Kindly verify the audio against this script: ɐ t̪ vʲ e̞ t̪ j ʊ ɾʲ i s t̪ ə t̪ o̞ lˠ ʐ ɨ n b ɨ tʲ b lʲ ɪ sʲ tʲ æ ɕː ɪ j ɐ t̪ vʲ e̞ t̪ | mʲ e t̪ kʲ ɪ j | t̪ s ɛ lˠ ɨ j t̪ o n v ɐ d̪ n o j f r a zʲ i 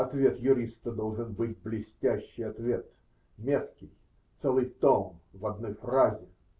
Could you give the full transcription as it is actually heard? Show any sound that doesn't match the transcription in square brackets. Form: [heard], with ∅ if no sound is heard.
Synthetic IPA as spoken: ɐ t̪ vʲ e̞ t̪ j ʊ ɾʲ i s t̪ ə [d̪] o̞ lˠ ʐ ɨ n b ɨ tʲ b lʲ ɪ sʲ tʲ æ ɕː ɪ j ɐ t̪ vʲ e̞ t̪ | mʲ e t̪ kʲ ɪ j | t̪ s ɛ lˠ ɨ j t̪ o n v ɐ d̪ n o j f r a zʲ [ɪ]